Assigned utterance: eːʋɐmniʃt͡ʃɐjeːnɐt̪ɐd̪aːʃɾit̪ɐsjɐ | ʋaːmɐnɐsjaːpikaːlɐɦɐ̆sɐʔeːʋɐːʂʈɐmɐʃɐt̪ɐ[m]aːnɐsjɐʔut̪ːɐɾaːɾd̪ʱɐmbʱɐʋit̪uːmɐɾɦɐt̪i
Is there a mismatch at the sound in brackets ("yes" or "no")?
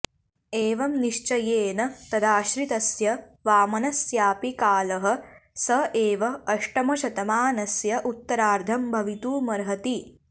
no